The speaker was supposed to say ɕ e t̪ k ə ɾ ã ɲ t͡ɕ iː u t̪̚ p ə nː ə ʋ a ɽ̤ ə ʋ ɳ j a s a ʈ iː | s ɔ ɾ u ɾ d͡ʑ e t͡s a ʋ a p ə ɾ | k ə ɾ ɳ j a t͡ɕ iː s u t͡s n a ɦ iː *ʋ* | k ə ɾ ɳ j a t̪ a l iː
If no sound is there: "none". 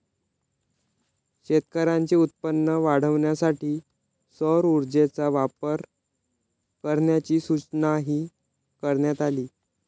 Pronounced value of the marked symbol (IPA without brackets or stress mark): none